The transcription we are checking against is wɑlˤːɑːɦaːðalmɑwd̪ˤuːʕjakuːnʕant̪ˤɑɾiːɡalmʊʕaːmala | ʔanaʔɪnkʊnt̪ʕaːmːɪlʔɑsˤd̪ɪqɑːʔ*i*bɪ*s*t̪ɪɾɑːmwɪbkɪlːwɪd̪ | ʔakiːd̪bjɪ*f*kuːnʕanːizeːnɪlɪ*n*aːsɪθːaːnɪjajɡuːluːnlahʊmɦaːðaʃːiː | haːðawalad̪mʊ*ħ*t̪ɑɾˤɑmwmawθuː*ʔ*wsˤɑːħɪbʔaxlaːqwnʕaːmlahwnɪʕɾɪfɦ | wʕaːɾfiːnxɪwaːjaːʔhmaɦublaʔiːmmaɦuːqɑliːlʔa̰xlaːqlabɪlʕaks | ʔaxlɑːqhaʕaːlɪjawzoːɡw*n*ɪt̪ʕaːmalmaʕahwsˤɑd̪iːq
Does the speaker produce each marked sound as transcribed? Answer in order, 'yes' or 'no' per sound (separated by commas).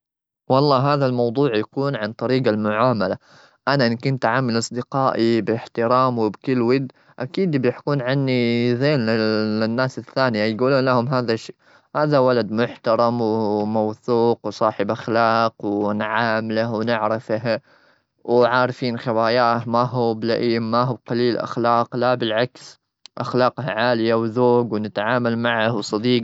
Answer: yes, no, no, no, yes, no, yes